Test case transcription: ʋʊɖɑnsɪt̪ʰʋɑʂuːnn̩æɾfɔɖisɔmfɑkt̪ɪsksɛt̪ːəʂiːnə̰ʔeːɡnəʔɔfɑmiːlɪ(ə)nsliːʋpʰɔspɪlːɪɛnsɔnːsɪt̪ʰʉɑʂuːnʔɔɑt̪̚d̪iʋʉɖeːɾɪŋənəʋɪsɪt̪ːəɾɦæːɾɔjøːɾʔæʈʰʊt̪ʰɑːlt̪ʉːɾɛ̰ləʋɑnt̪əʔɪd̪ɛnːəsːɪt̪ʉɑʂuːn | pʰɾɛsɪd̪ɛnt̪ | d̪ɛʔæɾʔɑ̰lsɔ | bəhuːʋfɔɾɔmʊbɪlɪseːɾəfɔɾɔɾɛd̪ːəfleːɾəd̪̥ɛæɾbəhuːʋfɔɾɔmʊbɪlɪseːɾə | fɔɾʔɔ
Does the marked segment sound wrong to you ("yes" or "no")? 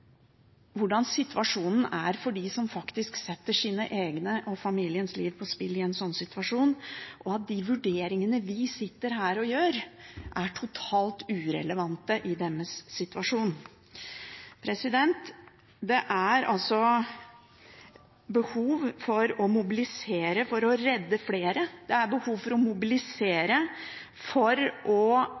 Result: no